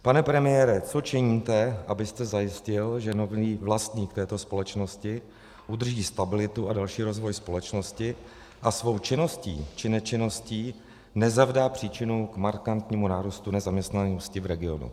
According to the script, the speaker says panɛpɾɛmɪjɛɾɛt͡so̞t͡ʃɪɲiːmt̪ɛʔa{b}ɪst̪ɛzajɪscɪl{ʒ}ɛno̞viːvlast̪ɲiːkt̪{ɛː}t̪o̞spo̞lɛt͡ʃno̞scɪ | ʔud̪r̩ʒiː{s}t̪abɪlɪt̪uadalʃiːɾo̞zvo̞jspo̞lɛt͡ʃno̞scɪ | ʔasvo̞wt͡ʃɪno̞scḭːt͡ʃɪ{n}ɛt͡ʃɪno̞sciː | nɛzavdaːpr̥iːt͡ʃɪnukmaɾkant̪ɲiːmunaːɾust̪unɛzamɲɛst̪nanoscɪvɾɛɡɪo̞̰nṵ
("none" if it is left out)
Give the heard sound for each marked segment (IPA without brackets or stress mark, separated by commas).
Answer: b, ʒ, ɛː, s, n